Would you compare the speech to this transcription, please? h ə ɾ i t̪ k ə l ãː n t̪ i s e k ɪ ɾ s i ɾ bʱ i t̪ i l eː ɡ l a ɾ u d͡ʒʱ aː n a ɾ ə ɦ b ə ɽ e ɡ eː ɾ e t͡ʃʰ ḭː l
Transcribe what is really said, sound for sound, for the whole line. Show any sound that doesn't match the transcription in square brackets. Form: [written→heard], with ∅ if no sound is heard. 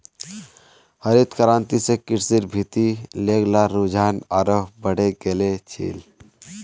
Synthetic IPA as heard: h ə ɾ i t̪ k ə [l→ɾ] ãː n t̪ i s e k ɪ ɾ s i ɾ bʱ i t̪ i l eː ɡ l a ɾ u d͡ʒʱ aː n a ɾ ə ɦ b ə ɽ e ɡ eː [ɾ→l] e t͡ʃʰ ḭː l

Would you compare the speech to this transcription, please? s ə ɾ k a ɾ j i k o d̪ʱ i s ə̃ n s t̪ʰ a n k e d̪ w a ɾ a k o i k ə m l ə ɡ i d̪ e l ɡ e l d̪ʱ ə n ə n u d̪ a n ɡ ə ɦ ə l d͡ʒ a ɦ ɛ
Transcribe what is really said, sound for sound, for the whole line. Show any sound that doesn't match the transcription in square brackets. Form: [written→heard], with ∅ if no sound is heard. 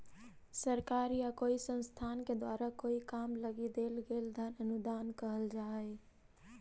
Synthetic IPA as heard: s ə ɾ k a ɾ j [i→a] k o [d̪ʱ→∅] i s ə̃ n s t̪ʰ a n k e d̪ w a ɾ a k o i k [ə→a] m l ə ɡ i d̪ e l ɡ e l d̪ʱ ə n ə n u d̪ a n [ɡ→k] ə ɦ ə l d͡ʒ a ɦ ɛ

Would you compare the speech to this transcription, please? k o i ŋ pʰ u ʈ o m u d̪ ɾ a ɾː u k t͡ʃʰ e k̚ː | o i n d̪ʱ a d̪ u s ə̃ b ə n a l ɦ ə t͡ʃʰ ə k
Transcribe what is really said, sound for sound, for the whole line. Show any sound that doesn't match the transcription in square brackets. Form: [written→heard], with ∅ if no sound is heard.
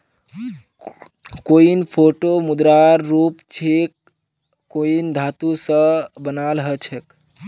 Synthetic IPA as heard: k o i [ŋ→n] pʰ [u→o] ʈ o m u d̪ ɾ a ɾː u [k→p] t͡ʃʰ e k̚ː | o i n d̪ʱ a [d̪→t̪] u s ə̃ b ə n a l ɦ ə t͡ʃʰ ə k

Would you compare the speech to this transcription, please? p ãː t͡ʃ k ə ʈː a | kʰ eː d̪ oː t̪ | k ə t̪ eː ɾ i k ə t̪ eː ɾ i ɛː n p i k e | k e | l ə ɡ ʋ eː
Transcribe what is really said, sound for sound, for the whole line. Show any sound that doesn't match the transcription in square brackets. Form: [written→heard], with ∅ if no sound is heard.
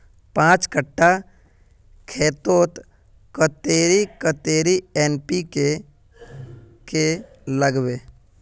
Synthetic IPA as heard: p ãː t͡ʃ k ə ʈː a | kʰ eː [d̪→t̪] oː t̪ | k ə t̪ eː ɾ i k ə t̪ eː ɾ i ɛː n p i k e | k e | l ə ɡ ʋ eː

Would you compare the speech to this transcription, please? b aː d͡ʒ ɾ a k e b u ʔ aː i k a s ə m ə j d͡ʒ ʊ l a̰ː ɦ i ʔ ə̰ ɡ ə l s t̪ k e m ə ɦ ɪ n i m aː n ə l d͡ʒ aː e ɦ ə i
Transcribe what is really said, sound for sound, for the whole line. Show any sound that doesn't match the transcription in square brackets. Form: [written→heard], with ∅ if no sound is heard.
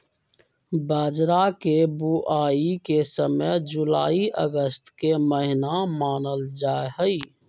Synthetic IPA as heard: b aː d͡ʒ ɾ a k e b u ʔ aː i k [a→e] s ə m ə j d͡ʒ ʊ l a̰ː [ɦ→∅] i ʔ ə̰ ɡ ə [l→∅] s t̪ k e m ə ɦ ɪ n [i→a] m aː n ə l d͡ʒ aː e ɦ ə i

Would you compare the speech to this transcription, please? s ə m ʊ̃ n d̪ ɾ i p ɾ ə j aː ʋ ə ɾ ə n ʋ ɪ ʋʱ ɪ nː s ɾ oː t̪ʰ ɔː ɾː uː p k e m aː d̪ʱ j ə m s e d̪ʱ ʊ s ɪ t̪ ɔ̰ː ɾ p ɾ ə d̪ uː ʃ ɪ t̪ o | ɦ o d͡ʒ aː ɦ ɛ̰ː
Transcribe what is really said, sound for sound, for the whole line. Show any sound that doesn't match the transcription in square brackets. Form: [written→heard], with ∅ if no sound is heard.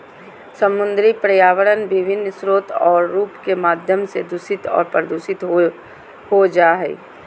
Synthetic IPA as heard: s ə m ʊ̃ n d̪ ɾ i p ɾ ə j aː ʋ ə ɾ ə n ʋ ɪ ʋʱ ɪ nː s ɾ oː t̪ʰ ɔː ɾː uː p k e m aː d̪ʱ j ə m s e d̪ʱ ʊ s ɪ t̪ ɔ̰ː ɾ p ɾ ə d̪ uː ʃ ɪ t̪ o | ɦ o d͡ʒ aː ɦ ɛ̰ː

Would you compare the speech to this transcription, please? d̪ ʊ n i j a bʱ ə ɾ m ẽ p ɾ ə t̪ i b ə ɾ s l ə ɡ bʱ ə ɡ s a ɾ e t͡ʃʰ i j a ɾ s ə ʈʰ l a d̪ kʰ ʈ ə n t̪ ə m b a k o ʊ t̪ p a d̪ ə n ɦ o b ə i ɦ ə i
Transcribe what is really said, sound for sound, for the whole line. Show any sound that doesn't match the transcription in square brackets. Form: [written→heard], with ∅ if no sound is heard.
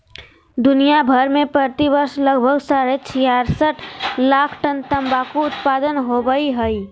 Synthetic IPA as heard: d̪ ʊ n i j a bʱ ə ɾ m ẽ p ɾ ə t̪ i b ə ɾ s l ə ɡ bʱ ə ɡ s a ɾ e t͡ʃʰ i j a ɾ s ə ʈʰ l a [d̪→∅] kʰ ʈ ə n t̪ ə m b a k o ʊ t̪ p a d̪ ə n ɦ o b ə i ɦ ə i

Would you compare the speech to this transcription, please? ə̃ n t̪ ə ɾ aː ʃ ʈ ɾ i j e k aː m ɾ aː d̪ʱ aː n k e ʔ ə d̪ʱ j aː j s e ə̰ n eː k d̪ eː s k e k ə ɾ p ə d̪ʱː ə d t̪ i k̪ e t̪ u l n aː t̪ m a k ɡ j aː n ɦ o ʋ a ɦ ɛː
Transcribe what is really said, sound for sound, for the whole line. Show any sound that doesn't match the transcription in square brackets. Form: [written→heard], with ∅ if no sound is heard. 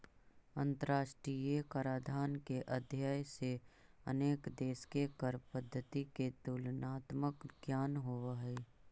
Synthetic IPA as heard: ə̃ n t̪ ə ɾ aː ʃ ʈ ɾ i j e k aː [m→∅] ɾ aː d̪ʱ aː n k e ʔ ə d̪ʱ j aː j s e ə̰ n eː k d̪ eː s k e k ə ɾ p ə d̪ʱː ə d t̪ i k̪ e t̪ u l n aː t̪ m [a→ə] k ɡ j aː n ɦ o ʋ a ɦ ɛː

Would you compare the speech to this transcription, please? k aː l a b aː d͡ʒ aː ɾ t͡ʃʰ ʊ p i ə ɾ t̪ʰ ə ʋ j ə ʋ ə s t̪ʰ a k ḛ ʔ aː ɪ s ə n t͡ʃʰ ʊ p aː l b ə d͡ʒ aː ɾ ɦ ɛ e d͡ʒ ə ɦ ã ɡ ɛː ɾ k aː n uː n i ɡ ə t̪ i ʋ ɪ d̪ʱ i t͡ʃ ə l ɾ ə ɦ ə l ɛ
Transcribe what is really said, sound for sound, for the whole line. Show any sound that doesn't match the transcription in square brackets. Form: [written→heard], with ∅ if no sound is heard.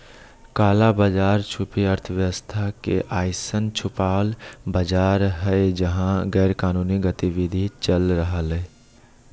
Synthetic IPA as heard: k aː l a b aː d͡ʒ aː ɾ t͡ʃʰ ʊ p i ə ɾ t̪ʰ ə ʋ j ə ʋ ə s t̪ʰ a k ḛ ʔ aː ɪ s ə n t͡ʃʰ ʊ p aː l b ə d͡ʒ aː ɾ ɦ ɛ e d͡ʒ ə ɦ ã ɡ ɛː ɾ k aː n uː n i ɡ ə t̪ i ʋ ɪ d̪ʱ i t͡ʃ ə l ɾ ə ɦ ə l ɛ

